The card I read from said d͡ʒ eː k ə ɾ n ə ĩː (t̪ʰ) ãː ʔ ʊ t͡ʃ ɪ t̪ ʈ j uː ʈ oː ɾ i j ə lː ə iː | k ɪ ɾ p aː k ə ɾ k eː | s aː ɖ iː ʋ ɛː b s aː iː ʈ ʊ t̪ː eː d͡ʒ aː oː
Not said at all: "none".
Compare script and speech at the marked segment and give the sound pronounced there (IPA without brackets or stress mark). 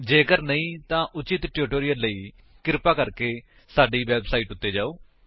t̪